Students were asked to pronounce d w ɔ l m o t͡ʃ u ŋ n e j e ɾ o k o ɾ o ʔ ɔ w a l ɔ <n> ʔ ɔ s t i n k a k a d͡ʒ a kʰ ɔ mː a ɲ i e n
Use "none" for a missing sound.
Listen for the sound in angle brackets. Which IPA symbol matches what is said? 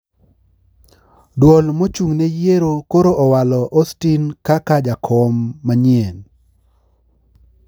none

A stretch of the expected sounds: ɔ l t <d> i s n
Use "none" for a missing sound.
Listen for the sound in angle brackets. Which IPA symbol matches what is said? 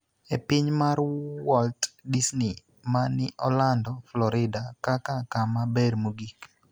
d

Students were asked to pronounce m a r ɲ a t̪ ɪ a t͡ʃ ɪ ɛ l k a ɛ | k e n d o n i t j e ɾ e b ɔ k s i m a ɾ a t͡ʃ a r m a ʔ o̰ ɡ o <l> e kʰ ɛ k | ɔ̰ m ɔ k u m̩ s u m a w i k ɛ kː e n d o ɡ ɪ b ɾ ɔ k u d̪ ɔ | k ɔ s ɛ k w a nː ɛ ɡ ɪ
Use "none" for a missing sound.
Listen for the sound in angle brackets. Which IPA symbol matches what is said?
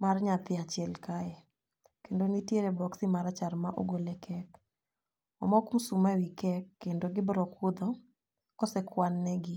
l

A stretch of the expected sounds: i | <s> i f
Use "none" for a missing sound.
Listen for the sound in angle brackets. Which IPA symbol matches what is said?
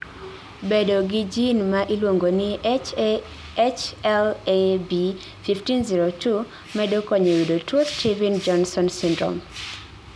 f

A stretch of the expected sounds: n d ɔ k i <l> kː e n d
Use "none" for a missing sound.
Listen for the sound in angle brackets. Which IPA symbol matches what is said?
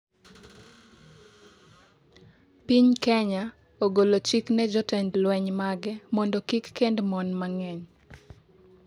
none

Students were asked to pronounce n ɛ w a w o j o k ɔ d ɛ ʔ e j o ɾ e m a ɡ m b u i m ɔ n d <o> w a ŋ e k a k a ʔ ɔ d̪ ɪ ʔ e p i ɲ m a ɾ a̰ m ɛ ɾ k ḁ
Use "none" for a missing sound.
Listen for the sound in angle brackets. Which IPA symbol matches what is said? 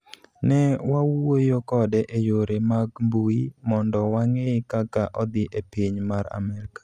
ɔ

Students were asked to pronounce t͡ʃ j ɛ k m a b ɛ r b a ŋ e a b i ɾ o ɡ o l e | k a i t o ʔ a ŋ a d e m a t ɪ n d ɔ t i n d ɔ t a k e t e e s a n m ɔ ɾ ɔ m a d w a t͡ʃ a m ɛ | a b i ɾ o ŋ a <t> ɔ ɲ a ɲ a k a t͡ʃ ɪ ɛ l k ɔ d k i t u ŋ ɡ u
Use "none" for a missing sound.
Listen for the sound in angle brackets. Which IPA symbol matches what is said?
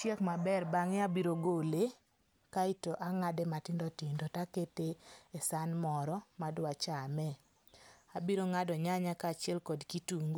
d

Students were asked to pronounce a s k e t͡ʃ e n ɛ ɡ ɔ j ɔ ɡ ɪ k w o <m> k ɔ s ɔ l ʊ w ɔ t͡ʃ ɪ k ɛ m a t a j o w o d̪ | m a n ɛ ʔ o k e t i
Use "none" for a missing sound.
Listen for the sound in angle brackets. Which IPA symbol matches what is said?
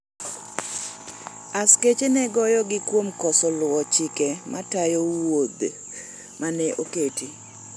m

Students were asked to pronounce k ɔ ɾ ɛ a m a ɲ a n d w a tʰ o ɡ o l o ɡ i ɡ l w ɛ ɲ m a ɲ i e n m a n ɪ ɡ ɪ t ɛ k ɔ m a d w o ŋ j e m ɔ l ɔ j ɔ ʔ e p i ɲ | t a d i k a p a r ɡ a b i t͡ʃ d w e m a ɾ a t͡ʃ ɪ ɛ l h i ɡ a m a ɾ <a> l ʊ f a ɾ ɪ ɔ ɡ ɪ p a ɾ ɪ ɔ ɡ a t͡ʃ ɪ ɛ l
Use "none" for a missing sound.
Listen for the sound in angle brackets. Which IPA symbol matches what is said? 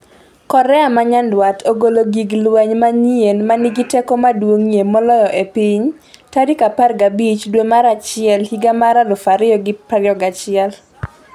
a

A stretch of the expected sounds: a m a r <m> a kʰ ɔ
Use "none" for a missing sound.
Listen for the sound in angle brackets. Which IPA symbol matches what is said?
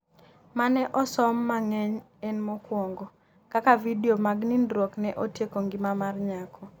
ɲ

